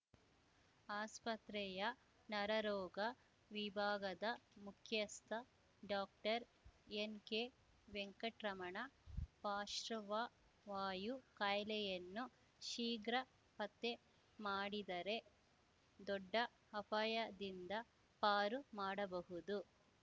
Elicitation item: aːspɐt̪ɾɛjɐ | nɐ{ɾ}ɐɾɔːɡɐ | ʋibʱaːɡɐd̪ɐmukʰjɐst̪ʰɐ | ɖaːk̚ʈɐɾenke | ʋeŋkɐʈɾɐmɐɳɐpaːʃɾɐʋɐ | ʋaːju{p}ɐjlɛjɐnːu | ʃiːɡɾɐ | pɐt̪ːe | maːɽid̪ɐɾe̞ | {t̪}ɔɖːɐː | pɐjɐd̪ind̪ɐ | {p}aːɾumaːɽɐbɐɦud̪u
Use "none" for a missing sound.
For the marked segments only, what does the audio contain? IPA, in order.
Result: ɾ, k, d̪, p

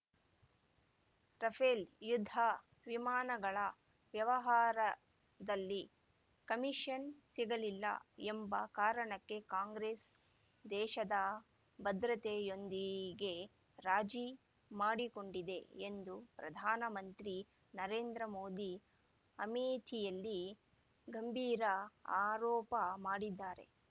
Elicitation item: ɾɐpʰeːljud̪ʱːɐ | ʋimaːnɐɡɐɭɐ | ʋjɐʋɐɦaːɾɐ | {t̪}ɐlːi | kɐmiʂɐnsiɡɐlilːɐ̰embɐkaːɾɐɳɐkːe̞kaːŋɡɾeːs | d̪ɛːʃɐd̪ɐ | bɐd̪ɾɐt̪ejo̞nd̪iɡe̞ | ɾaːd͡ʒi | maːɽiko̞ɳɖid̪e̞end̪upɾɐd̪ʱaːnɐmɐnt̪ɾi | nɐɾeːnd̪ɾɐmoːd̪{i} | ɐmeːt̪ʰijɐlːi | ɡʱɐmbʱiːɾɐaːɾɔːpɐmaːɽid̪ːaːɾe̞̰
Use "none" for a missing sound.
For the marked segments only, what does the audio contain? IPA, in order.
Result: d̪, i

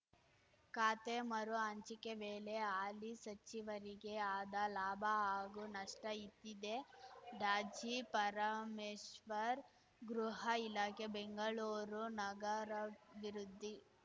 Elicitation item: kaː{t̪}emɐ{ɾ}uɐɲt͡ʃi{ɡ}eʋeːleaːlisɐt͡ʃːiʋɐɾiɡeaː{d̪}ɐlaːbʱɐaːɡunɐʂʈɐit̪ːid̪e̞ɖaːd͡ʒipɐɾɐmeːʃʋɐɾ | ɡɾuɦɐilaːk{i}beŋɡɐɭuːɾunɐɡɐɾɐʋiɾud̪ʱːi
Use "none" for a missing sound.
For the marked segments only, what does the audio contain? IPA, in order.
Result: t̪, ɾ, k, d̪, e

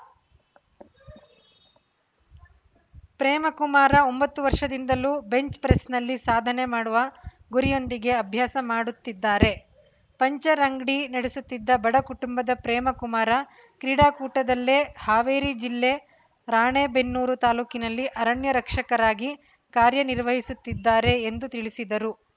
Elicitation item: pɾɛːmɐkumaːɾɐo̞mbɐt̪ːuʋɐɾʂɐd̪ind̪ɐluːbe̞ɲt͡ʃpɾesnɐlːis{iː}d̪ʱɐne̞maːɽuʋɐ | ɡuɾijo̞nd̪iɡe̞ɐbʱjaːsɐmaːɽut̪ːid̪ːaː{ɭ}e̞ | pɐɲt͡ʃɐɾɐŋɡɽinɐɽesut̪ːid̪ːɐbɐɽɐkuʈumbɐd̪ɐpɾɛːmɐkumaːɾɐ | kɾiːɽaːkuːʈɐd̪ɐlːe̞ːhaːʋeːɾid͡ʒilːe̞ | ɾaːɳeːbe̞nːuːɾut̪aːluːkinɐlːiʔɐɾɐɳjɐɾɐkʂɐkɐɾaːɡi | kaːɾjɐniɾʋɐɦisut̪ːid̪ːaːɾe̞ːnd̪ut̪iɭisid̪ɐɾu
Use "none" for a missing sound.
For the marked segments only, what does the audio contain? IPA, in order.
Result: aː, ɾ

